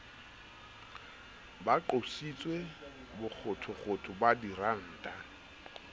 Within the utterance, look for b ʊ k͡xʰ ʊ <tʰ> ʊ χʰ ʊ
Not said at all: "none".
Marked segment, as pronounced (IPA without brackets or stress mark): tʰ